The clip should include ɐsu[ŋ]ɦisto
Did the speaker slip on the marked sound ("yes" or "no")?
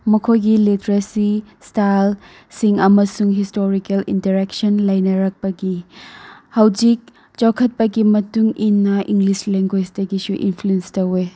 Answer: no